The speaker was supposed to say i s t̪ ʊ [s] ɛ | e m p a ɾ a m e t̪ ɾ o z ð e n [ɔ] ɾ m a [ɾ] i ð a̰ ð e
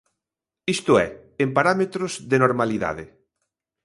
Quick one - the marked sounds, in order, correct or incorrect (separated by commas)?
incorrect, incorrect, incorrect